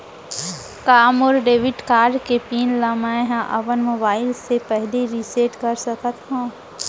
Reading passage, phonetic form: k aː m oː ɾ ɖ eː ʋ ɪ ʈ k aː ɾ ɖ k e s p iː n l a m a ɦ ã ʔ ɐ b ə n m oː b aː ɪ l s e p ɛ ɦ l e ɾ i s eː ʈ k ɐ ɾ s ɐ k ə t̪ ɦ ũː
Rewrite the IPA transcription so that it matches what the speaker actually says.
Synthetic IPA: k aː m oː ɾ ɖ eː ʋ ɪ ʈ k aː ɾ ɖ k e p iː n l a m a ɦ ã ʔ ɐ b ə n m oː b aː ɪ l s e p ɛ ɦ l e ɾ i s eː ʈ k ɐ ɾ s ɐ k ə t̪ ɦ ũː